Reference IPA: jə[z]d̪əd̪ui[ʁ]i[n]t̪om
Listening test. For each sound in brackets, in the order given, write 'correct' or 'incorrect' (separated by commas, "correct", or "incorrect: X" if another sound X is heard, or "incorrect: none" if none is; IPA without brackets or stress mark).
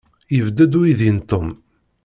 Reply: incorrect: v, incorrect: ð, correct